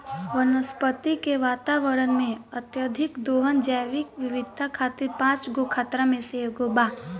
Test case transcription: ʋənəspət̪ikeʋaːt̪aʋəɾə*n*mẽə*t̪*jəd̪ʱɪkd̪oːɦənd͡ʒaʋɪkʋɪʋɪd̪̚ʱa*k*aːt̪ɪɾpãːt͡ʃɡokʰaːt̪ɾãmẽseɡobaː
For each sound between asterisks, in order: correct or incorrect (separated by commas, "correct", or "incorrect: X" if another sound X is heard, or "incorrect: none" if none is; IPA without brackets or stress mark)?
correct, correct, incorrect: kʰ